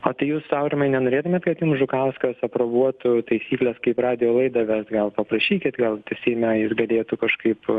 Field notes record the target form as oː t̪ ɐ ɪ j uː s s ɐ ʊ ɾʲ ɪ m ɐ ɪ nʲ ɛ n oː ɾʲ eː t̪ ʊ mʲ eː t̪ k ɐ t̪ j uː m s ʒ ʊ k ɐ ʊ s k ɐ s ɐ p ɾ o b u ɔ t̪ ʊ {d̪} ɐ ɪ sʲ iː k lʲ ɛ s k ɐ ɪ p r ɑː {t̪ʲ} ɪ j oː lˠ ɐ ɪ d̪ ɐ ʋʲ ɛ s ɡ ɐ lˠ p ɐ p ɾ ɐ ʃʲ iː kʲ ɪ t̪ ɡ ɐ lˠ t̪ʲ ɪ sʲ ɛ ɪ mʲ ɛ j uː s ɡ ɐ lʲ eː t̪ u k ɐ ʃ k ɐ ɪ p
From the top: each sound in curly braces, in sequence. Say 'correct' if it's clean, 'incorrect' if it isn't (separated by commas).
incorrect, incorrect